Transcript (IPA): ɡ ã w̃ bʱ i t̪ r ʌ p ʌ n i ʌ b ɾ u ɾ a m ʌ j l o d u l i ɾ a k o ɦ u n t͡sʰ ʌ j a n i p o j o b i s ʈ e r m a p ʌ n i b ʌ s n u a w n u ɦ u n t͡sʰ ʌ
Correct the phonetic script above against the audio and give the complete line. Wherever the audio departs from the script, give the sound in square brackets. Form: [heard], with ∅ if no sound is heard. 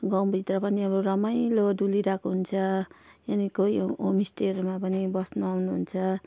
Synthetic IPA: ɡ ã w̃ bʱ i t̪ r ʌ p ʌ n i ʌ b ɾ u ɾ [ʌ] m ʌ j l o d u l i ɾ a k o ɦ u n t͡sʰ ʌ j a n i [k] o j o [m] i s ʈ e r m a p ʌ n i b ʌ s n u a w n u ɦ u n t͡sʰ ʌ